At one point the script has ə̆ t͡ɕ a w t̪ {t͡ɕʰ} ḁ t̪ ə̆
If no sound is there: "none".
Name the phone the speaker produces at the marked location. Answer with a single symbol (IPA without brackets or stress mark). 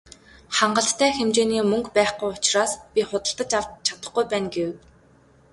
t͡ɕʰ